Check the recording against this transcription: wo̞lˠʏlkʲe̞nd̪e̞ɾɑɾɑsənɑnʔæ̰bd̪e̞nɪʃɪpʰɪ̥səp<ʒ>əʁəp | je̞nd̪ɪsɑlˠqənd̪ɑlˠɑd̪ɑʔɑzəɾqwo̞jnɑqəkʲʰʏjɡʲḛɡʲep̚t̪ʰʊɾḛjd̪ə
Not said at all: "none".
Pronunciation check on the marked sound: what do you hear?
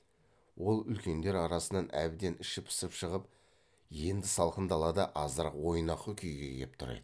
ʃ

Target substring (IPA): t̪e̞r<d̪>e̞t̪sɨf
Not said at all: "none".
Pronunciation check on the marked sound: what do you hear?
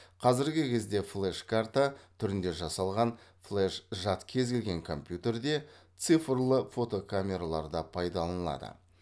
d̪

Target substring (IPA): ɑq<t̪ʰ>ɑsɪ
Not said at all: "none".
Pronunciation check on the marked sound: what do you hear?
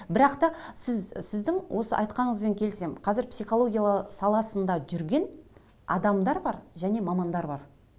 t̪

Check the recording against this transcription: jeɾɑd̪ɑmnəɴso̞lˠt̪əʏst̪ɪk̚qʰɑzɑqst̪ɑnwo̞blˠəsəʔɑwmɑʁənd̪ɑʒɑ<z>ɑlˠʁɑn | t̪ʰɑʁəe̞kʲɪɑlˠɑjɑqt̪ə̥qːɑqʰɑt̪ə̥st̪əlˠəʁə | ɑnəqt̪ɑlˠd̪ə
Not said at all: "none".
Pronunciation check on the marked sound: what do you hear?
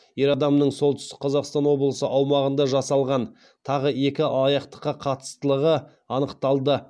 s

